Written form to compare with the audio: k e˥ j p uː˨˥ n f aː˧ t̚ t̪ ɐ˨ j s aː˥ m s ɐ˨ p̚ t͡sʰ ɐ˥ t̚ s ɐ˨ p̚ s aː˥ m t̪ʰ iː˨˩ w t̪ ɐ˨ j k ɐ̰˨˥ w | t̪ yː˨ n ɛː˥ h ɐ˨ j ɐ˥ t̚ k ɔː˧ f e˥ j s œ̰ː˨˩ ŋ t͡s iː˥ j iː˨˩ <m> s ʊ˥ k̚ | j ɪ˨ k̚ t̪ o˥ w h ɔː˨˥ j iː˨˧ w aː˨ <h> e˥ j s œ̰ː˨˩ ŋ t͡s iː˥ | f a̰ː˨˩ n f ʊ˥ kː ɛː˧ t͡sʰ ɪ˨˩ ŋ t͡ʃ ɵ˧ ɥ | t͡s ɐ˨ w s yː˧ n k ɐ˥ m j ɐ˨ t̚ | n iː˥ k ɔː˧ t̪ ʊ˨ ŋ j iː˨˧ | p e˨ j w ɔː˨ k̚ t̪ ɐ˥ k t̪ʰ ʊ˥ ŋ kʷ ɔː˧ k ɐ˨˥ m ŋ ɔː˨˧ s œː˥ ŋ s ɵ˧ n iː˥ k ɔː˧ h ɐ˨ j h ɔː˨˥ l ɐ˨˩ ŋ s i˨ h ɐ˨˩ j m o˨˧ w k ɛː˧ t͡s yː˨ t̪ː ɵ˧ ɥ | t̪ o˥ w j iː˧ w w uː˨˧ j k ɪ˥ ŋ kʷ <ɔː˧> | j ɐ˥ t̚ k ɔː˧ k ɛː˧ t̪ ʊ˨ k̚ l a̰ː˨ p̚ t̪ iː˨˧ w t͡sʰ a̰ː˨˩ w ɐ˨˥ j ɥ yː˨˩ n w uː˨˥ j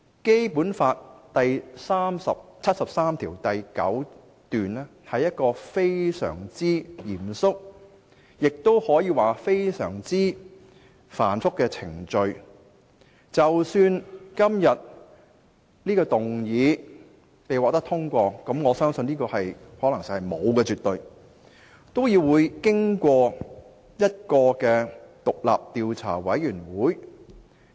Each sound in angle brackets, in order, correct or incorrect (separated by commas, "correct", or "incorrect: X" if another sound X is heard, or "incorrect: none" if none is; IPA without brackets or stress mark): correct, incorrect: f, correct